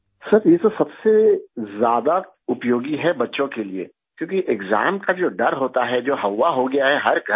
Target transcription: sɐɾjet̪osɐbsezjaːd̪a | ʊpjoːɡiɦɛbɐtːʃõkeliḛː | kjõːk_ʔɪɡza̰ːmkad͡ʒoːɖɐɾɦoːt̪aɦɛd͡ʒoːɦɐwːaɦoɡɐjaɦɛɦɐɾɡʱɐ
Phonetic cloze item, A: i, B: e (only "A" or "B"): A